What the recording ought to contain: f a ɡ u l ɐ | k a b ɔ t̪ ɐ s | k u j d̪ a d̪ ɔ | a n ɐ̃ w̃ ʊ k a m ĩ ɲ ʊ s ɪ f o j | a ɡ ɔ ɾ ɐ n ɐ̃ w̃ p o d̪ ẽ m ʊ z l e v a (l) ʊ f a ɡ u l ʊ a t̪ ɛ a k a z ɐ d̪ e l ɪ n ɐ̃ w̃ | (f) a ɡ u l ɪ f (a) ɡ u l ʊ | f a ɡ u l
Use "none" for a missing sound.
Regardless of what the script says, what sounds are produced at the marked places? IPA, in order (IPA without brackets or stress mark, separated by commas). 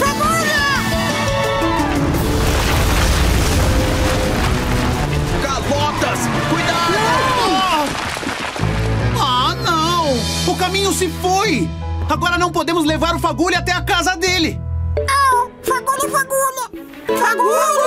ɾ, f, a